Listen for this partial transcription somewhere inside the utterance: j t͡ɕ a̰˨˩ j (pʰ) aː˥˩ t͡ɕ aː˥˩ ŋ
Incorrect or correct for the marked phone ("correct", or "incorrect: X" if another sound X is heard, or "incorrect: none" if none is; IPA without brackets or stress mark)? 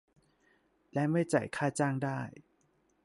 incorrect: kʰ